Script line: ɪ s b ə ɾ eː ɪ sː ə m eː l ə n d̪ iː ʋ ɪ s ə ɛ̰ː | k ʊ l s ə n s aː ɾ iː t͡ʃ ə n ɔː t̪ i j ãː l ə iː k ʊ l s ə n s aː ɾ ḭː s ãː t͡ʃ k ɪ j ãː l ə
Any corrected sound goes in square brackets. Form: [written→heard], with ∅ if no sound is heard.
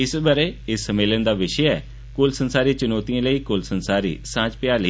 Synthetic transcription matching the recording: ɪ s b ə ɾ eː ɪ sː ə m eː l ə n d̪ [iː→aː] ʋ ɪ [s→ʃ] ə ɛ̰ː | k ʊ l s ə n s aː ɾ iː t͡ʃ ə n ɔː t̪ i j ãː l ə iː k ʊ l s ə n s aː ɾ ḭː s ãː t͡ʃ [k→p] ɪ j [ãː→aː] l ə